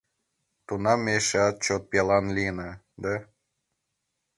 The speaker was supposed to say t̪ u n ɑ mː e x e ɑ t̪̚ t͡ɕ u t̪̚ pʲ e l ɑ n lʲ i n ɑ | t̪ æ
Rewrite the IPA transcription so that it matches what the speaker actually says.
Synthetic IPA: t̪ u n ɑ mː e ʃ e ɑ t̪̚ t͡ɕ o t̪̚ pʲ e l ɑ n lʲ i n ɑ | d̪ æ